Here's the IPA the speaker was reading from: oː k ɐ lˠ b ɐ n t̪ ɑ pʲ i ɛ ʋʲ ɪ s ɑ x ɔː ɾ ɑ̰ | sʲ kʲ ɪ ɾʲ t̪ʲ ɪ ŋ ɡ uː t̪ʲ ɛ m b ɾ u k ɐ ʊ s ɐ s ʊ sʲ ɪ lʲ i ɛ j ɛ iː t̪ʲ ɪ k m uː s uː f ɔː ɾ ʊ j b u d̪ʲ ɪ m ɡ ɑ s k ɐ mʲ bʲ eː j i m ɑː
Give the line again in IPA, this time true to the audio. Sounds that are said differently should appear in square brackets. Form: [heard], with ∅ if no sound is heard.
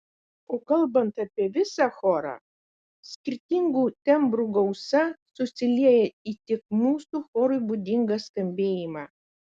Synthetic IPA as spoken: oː k ɐ lˠ b ɐ n t̪ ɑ pʲ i ɛ ʋʲ ɪ s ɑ x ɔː ɾ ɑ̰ | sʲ kʲ ɪ ɾʲ t̪ʲ ɪ ŋ ɡ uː t̪ʲ ɛ m b ɾ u [ɡ] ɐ ʊ s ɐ s ʊ sʲ ɪ lʲ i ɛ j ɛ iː t̪ʲ ɪ k m uː s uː [x] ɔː ɾ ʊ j b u d̪ʲ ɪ [ŋ] ɡ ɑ s k ɐ mʲ bʲ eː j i m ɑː